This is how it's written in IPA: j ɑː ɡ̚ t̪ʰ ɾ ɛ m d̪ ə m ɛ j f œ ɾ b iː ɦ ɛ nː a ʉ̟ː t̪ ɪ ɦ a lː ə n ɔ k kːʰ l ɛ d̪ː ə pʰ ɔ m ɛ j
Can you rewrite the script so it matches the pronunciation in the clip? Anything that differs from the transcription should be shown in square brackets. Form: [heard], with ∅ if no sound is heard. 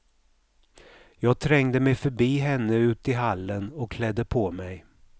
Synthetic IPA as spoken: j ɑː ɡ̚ t̪ʰ ɾ ɛ [ŋ] d̪ ə m ɛ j f œ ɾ b iː ɦ ɛ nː [ə] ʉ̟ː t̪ ɪ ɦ a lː ə n ɔ k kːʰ l ɛ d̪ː ə pʰ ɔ m ɛ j

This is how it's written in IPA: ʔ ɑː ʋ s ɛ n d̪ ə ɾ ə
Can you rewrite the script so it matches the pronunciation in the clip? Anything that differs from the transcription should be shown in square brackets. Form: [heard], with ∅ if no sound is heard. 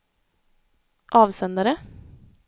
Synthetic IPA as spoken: ʔ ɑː ʋ s ɛ n d̪ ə ɾ ə

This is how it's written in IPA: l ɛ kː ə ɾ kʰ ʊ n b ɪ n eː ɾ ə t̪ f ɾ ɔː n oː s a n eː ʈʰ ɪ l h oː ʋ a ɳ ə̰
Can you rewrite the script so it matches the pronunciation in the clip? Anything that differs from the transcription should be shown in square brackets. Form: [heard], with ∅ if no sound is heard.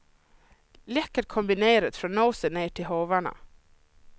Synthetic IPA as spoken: l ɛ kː ə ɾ kʰ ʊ [m] b ɪ n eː ɾ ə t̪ f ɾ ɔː n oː s [ə] n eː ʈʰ ɪ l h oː ʋ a ɳ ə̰

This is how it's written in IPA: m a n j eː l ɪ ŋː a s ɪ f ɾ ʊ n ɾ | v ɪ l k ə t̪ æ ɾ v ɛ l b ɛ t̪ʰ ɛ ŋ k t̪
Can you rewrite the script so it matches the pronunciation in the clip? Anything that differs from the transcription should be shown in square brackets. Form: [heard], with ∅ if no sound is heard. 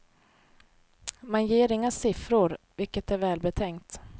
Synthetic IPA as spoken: m a n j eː [ɾ] ɪ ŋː a s ɪ f ɾ ʊ [∅] ɾ | v ɪ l k ə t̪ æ ɾ v [ɛː] l b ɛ t̪ʰ ɛ ŋ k t̪

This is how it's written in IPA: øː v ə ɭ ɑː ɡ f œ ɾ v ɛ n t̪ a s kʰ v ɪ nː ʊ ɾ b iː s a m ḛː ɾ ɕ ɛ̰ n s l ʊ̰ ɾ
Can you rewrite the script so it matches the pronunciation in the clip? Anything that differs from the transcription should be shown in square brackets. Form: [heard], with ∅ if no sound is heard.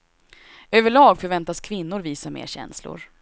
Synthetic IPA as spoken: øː v ə ɭ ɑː ɡ f œ ɾ v ɛ n t̪ a s kʰ v ɪ nː ʊ ɾ [v] iː s a m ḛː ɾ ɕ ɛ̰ n s l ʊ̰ ɾ

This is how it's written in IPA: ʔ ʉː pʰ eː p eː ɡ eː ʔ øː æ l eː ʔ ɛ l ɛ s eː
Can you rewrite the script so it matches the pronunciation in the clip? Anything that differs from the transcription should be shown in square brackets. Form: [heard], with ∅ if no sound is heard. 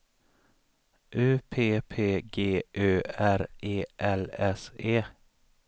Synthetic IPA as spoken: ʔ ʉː pʰ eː [pʰ] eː ɡ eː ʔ øː æ [ɾ] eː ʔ ɛ l ɛ s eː

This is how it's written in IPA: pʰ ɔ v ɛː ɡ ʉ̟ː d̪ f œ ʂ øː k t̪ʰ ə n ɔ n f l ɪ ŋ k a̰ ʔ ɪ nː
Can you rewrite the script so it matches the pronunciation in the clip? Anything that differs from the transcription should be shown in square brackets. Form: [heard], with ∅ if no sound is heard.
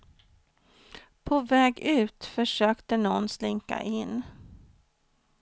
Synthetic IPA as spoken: pʰ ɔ v ɛː ɡ ʉ̟ː [t̪] f œ ʂ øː k [t̪] ə n ɔ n [s] l ɪ ŋ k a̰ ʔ ɪ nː

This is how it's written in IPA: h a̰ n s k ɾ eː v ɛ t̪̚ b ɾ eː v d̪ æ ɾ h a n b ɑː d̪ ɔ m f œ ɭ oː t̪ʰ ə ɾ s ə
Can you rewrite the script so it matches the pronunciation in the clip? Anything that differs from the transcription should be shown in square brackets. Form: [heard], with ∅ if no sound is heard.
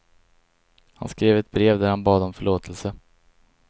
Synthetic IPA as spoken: h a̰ n s k ɾ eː v ɛ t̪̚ b ɾ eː v d̪ æ ɾ h a n b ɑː d̪ ɔ m f œ ɭ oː t̪ʰ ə [l] s ə

